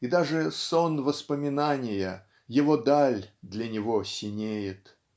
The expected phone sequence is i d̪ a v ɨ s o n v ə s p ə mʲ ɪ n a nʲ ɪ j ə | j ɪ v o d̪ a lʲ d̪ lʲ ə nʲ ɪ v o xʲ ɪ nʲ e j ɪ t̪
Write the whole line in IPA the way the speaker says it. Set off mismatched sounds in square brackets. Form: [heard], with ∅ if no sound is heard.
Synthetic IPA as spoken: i d̪ a [ʐ] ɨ s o n v ə s p ə mʲ ɪ n a nʲ ɪ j ə | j ɪ v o d̪ a lʲ d̪ lʲ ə nʲ ɪ v o [sʲ] ɪ nʲ e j ɪ t̪